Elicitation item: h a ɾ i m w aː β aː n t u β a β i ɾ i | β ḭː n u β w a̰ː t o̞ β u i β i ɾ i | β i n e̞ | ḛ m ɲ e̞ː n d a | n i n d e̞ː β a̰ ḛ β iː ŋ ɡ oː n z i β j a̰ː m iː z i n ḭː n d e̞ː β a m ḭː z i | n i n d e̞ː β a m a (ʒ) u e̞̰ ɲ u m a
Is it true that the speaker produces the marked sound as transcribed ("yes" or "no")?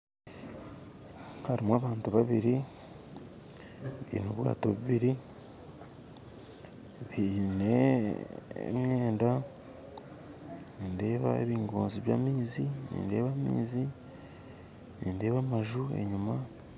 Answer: yes